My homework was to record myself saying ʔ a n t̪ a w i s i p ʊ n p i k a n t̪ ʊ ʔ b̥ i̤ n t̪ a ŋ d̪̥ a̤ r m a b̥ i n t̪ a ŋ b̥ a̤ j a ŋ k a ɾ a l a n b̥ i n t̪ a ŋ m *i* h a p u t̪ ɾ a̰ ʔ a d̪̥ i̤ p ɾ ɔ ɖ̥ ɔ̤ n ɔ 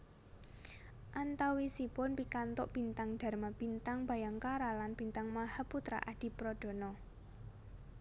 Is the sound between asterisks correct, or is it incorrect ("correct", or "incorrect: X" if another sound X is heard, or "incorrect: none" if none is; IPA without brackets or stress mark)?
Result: incorrect: a